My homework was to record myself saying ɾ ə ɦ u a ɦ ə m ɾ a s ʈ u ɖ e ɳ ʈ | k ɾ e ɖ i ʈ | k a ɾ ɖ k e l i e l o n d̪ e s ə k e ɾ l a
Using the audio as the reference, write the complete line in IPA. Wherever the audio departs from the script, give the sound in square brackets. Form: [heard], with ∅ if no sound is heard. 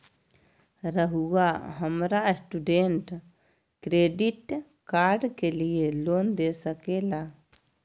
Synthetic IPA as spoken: ɾ ə ɦ u a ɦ ə m ɾ a s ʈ u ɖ e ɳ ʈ | k ɾ e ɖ i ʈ | k a ɾ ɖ k e l i e l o n d̪ e s ə k e [∅] l a